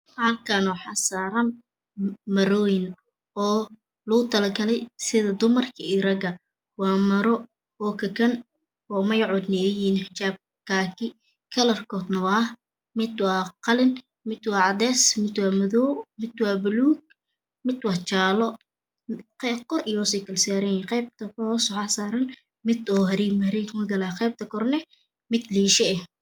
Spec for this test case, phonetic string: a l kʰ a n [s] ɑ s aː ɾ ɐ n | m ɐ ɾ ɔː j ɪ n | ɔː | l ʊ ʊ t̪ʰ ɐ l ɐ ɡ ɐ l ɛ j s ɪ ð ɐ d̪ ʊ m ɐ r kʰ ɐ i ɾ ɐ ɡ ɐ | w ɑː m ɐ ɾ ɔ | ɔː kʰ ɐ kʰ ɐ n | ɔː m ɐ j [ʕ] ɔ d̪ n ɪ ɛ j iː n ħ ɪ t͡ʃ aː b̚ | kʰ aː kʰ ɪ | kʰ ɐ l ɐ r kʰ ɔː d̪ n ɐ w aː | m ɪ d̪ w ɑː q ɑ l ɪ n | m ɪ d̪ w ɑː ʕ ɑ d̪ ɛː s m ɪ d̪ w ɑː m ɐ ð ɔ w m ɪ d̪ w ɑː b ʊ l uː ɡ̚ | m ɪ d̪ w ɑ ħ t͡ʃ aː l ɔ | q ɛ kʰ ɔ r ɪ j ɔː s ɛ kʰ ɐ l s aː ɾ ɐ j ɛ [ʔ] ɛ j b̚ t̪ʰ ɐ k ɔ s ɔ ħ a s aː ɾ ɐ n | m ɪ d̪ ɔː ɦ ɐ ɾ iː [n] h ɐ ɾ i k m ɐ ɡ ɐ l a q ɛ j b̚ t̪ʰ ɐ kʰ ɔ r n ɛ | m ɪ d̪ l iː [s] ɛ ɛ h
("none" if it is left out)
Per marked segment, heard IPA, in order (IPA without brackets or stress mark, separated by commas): ħ, ʕ, q, m, ʃ